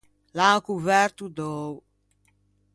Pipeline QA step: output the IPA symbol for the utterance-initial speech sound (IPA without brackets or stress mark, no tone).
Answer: l